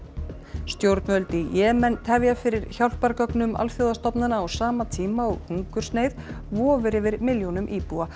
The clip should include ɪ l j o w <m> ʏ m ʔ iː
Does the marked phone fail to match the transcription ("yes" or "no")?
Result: yes